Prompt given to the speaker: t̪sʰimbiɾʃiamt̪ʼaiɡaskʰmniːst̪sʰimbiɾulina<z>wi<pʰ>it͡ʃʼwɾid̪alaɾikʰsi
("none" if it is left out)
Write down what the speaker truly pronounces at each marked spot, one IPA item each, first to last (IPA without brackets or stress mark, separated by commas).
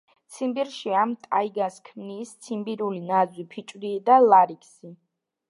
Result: z, pʰ